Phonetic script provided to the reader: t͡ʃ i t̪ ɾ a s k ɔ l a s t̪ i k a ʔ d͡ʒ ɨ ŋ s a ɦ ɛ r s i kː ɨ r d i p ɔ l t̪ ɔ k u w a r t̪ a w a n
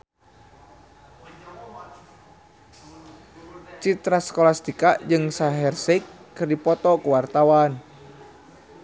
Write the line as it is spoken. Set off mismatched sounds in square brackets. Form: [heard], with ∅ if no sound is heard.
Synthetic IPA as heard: t͡ʃ i t̪ ɾ a s k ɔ l a s t̪ i k a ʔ d͡ʒ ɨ ŋ s a ɦ ɛ r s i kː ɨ r d i p ɔ [∅] t̪ ɔ k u w a r t̪ a w a n